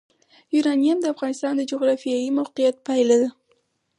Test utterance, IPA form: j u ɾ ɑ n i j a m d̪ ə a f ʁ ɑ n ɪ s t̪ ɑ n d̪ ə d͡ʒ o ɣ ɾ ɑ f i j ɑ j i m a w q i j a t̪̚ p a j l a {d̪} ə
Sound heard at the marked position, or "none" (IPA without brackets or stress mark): d̪